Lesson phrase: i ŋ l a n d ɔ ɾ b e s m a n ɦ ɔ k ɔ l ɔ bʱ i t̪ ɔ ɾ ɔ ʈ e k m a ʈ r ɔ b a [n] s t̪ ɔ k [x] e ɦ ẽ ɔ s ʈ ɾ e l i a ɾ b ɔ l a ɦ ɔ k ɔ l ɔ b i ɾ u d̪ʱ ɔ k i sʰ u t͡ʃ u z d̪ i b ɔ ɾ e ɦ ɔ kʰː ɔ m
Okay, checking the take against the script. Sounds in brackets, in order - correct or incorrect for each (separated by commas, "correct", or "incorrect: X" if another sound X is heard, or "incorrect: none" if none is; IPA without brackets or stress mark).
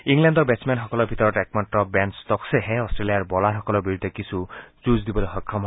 correct, incorrect: s